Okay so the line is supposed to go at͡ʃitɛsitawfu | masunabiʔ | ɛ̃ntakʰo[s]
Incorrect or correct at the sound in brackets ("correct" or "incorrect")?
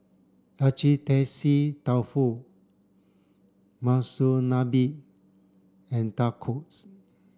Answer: correct